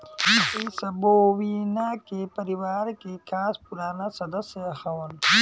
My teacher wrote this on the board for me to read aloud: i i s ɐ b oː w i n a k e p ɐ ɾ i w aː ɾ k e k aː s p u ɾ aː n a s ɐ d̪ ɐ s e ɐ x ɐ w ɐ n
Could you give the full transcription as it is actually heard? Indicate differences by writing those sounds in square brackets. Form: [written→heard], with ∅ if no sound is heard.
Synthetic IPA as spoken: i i s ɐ b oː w i n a k e p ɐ ɾ i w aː ɾ k e k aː s p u ɾ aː n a s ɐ d̪ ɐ s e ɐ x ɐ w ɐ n